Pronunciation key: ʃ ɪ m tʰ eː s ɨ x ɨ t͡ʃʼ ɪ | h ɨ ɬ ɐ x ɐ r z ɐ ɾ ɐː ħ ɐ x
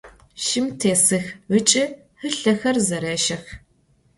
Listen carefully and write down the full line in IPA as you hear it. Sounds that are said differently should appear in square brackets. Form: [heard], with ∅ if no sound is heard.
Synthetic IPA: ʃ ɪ m tʰ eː s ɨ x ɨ t͡ʃʼ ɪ | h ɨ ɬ ɐ x ɐ r z ɐ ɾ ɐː [ʃ] ɐ x

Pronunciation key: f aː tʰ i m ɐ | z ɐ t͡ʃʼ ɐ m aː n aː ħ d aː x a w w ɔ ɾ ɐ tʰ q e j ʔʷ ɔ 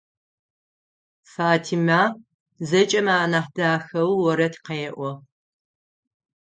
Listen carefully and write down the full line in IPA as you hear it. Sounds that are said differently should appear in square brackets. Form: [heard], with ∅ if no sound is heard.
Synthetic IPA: f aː tʰ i m [a] | z ɐ t͡ʃʼ ɐ m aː n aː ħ d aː x [ɐ] w w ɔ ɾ ɐ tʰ q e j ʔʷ ɔ

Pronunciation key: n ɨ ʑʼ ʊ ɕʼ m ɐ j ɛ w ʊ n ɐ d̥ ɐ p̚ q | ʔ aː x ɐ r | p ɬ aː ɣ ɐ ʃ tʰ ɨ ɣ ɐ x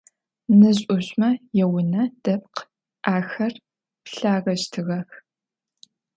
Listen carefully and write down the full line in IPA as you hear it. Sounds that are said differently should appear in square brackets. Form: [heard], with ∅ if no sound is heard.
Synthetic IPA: n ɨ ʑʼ ʊ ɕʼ m ɐ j ɛ w ʊ n ɐ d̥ ɐ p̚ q | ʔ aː x ɐ r | p ɬ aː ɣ ɐ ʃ tʰ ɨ ɣ ɐ x

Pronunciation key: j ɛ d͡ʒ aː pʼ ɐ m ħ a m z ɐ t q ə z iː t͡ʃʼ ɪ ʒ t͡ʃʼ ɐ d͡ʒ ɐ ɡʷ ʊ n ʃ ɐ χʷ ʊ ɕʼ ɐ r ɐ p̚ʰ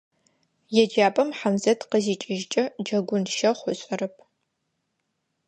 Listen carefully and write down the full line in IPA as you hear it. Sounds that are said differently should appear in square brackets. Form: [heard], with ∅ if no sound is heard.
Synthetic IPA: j ɛ d͡ʒ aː pʼ ɐ m ħ a m z ɐ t q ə z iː t͡ʃʼ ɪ ʒ t͡ʃʼ ɐ d͡ʒ ɐ ɡʷ ʊ n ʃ ɐ χʷ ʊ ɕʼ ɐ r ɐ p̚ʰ

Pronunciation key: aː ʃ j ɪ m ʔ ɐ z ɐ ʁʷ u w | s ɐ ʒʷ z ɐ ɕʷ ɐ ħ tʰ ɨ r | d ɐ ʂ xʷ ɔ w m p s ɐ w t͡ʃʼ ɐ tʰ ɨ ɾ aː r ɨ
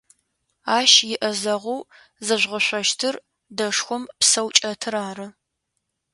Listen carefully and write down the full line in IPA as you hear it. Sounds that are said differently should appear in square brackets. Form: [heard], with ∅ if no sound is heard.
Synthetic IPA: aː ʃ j ɪ [∅] ʔ ɐ z ɐ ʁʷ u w | [z] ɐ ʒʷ [ʁ] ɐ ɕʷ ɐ [ʃ] tʰ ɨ r | d ɐ ʂ xʷ ɔ [∅] m p s ɐ w t͡ʃʼ ɐ tʰ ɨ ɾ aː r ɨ

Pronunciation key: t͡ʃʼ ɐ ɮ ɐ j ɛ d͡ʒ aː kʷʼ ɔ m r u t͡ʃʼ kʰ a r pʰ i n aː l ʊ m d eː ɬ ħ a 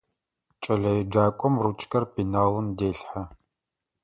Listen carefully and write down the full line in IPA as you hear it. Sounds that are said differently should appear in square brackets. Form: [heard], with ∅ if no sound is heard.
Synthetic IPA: t͡ʃʼ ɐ ɮ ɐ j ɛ d͡ʒ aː kʷʼ ɔ m r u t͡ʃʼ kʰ [ɐ] r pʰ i n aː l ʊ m d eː ɬ ħ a

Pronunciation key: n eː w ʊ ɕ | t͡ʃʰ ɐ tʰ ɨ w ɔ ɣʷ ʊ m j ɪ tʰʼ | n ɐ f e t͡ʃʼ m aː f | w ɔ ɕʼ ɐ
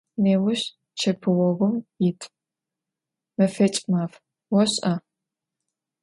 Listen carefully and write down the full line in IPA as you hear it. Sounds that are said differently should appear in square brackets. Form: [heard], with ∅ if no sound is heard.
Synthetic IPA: n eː w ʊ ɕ | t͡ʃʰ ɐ [pʰ] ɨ w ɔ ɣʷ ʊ m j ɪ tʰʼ | [m] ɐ f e t͡ʃʼ m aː f | w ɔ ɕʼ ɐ

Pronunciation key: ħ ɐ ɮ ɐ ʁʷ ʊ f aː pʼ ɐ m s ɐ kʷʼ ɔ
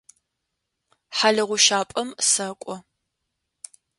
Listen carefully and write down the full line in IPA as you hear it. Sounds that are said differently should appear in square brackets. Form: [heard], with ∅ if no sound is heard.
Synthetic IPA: ħ [a] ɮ ɐ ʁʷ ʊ [ʃ] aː pʼ ɐ m s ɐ kʷʼ ɔ

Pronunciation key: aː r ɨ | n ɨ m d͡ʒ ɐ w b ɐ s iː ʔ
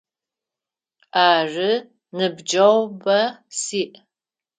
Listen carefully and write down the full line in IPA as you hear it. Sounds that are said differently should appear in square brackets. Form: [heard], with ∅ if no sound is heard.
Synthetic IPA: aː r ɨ | n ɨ [b] d͡ʒ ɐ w b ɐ s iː ʔ

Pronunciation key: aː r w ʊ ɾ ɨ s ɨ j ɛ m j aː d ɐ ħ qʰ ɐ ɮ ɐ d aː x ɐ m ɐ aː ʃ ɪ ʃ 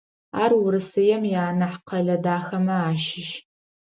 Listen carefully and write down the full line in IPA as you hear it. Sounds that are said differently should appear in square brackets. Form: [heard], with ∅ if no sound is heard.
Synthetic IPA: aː r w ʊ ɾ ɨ s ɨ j ɛ m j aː [n] ɐ ħ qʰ ɐ ɮ ɐ d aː x ɐ m ɐ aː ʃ ɪ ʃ

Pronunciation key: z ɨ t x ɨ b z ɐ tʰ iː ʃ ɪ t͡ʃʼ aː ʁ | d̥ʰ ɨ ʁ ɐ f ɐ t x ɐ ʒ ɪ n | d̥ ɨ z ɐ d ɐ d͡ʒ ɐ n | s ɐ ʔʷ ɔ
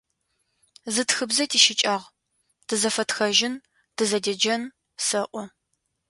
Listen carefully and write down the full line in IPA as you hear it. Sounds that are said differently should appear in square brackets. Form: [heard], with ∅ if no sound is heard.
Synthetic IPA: z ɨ t x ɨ b z ɐ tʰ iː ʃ ɪ t͡ʃʼ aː ʁ | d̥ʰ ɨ [z] ɐ f ɐ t x ɐ ʒ ɪ n | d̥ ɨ z ɐ d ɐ d͡ʒ ɐ n | s ɐ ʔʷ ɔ

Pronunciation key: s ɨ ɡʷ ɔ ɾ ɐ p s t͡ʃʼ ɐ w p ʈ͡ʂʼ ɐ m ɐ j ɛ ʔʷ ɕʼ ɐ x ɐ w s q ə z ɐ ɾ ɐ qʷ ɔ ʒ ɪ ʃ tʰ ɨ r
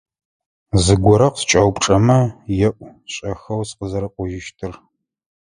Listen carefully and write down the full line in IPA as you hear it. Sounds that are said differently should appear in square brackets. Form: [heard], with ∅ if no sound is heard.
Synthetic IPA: [z] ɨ ɡʷ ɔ ɾ ɐ [q] s t͡ʃʼ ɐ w p ʈ͡ʂʼ ɐ m ɐ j ɛ ʔʷ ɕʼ ɐ x ɐ w s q ə z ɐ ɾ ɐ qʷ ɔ ʒ ɪ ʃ tʰ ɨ r

